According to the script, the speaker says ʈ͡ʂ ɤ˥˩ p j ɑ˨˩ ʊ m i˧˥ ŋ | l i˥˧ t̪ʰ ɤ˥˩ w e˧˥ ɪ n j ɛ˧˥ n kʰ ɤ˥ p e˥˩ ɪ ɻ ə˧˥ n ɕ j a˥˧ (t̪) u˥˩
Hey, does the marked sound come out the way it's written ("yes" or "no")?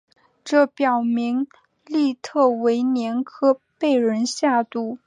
yes